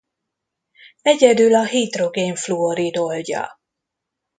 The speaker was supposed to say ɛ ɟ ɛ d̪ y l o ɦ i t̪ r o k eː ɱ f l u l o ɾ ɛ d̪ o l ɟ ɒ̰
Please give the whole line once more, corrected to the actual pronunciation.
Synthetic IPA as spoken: ɛ ɟ ɛ d̪ y l ɒ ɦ i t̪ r o ɡ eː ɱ f l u o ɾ i d̪ o l ɟ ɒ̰